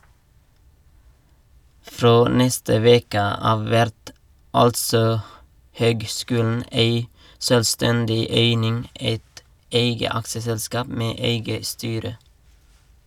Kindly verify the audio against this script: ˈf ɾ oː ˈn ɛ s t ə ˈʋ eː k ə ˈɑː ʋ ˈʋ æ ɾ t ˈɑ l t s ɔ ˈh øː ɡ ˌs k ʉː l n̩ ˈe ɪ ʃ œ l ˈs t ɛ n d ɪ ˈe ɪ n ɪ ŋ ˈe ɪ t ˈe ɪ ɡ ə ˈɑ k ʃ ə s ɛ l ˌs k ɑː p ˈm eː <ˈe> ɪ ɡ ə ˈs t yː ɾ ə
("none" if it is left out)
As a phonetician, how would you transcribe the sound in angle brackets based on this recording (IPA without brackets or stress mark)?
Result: e